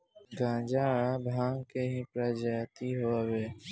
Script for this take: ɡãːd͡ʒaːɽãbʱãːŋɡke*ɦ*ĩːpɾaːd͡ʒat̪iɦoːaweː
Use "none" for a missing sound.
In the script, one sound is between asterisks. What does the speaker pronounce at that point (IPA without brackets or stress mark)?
ɦ